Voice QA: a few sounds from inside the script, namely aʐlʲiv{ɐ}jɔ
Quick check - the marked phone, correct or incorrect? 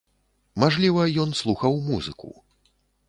correct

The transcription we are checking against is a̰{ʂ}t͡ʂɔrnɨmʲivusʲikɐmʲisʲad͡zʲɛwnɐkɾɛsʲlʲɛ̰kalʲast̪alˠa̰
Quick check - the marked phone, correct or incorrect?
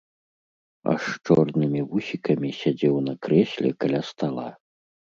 correct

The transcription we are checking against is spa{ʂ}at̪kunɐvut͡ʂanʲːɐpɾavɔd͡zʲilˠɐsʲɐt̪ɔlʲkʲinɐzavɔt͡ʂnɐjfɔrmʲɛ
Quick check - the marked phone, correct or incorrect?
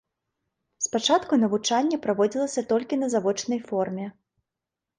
incorrect: t͡ʂ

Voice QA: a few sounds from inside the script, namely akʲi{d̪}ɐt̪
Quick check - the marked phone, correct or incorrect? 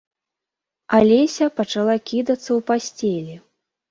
correct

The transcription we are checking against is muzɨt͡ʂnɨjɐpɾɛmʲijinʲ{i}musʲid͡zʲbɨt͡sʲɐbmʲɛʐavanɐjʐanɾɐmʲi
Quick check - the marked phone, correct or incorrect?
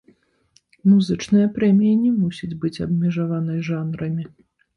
incorrect: ɛ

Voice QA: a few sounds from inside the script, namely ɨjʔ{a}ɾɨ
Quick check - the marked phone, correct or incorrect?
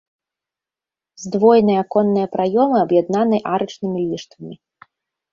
correct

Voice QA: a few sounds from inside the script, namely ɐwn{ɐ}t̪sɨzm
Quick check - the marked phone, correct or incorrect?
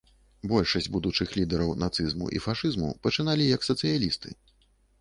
incorrect: a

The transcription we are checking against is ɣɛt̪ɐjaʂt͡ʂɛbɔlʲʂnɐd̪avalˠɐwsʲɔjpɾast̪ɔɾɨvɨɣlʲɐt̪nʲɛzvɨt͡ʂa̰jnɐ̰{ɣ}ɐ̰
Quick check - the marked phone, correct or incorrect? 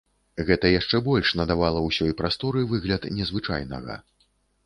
correct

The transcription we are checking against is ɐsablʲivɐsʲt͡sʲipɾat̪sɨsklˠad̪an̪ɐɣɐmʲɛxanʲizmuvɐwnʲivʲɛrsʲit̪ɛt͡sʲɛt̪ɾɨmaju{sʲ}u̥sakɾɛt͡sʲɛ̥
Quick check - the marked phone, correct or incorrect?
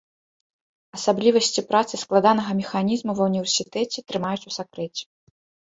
incorrect: t͡sʲ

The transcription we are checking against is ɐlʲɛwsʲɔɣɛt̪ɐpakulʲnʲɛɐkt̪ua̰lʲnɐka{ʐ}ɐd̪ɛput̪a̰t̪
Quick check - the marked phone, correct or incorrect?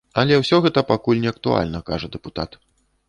correct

